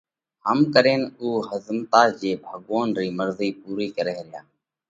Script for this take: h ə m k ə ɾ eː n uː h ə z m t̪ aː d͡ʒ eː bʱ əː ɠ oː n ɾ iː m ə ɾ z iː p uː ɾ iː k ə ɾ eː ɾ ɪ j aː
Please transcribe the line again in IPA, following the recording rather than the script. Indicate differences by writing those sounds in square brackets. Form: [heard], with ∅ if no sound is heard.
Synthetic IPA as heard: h ə m k ə ɾ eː n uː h ə z m t̪ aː d͡ʒ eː bʱ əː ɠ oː n ɾ iː m ə ɾ z iː p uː ɾ iː k ə ɾ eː ɾ ɪ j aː

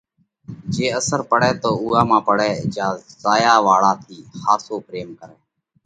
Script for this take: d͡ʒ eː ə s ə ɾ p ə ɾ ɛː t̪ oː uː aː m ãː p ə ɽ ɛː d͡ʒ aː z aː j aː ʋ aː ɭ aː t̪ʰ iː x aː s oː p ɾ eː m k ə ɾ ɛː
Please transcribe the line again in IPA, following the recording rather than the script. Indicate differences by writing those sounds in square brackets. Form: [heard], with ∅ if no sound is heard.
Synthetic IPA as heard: d͡ʒ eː ə s ə ɾ p ə [ɽ] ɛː t̪ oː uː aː m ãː p ə ɽ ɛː d͡ʒ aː z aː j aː ʋ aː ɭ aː t̪ʰ iː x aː s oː p ɾ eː m k ə ɾ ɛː

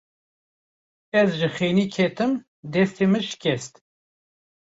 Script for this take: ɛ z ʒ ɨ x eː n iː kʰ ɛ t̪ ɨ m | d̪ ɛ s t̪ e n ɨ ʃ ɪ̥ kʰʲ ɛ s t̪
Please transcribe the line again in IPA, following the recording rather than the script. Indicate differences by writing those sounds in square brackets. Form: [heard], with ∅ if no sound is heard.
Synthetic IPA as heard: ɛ z ʒ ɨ x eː n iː kʰ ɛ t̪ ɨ m | d̪ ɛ s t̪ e [m] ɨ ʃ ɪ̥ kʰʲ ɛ s t̪

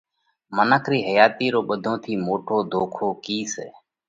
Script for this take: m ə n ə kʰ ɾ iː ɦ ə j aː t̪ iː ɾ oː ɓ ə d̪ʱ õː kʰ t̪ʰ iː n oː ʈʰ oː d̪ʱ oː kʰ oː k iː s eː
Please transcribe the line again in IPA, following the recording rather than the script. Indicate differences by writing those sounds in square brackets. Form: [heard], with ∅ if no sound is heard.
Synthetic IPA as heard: m ə n ə kʰ ɾ iː ɦ ə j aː t̪ iː ɾ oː ɓ ə d̪ʱ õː [∅] t̪ʰ iː [m] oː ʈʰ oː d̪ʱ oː kʰ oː k iː s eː

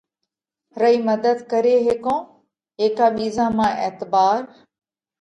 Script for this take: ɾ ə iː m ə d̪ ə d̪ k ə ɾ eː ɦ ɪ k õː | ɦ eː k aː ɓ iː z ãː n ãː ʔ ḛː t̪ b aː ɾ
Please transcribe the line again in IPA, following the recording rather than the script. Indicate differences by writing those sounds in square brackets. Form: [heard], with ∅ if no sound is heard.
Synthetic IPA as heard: ɾ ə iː m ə d̪ ə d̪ k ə ɾ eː ɦ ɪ k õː | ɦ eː k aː ɓ iː z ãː [m] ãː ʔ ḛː t̪ b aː ɾ

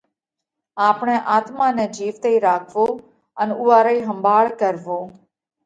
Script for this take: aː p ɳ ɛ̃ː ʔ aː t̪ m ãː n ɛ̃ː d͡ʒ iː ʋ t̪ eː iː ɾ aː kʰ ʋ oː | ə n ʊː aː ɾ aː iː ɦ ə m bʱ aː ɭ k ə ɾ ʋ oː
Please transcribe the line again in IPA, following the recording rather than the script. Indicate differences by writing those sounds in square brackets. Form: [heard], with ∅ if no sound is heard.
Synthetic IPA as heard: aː p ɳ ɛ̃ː ʔ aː t̪ m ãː n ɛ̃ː d͡ʒ iː ʋ t̪ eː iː ɾ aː kʰ ʋ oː | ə n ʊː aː ɾ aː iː ɦ ə m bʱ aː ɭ k ə ɾ ʋ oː

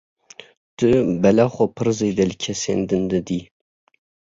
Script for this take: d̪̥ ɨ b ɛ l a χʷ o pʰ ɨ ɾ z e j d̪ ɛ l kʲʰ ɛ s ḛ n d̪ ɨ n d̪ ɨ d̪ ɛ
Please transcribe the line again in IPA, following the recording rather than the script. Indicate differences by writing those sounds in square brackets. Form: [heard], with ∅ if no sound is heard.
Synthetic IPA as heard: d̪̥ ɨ b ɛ l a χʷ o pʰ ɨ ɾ z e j d̪ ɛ l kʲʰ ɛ s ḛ n d̪ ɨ n d̪ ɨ d̪ [i]

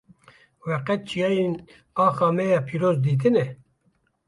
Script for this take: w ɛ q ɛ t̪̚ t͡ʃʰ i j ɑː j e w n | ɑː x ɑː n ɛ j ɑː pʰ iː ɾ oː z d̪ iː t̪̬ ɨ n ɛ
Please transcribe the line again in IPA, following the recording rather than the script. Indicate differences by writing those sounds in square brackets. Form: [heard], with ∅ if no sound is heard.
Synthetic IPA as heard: w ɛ q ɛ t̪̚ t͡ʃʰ i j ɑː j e [∅] n | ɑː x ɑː [m] ɛ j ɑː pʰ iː ɾ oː z d̪ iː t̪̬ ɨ n ɛ

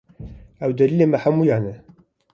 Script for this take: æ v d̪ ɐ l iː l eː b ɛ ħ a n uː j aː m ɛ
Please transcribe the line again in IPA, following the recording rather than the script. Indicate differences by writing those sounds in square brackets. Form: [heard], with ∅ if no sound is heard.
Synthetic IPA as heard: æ [w] d̪ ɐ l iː l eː [m] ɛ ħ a [m] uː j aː [n] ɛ

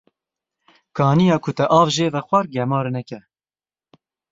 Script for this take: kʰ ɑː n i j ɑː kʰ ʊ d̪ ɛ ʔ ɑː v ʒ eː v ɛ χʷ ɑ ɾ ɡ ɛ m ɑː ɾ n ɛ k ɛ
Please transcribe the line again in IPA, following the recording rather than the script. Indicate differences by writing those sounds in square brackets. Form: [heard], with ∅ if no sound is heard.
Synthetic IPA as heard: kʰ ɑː n i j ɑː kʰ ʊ [t̪] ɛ ʔ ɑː v ʒ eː v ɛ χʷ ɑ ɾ ɡ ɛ m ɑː ɾ n ɛ k ɛ

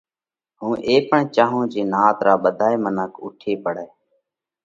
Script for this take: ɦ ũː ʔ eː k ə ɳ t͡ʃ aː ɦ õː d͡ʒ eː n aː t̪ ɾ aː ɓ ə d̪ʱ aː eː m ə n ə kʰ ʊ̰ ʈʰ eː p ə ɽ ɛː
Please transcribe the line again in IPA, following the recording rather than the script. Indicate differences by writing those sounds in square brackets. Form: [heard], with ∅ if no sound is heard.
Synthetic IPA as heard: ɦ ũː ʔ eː [p] ə ɳ t͡ʃ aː ɦ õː d͡ʒ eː n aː t̪ ɾ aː ɓ ə d̪ʱ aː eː m ə n ə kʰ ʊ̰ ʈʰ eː p ə ɽ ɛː

